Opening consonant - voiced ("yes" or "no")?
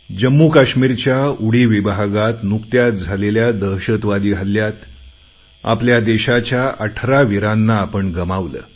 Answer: yes